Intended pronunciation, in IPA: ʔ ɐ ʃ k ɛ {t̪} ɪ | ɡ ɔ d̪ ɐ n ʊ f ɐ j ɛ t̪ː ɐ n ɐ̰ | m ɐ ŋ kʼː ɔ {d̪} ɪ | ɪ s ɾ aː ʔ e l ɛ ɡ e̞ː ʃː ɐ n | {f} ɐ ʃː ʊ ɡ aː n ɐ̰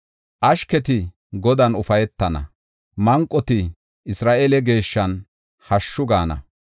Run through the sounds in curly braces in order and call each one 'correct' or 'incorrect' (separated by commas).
correct, incorrect, incorrect